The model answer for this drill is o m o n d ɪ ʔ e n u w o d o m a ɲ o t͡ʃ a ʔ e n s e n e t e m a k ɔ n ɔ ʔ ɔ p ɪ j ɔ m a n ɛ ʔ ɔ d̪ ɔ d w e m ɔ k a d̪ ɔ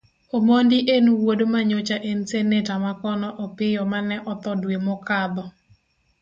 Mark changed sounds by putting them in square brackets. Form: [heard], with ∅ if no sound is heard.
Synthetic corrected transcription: o m o n d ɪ ʔ e n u w o d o m a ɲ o t͡ʃ a ʔ e n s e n e t [a] m a k ɔ n ɔ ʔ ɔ p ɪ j ɔ m a n ɛ ʔ ɔ [t̪] ɔ d w e m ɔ k a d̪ ɔ